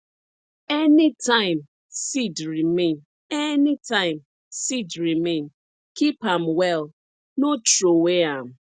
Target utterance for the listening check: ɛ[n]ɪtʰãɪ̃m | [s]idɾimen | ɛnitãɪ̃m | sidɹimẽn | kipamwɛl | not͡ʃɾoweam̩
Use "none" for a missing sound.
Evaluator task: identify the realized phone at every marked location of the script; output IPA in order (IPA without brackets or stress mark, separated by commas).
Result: n, s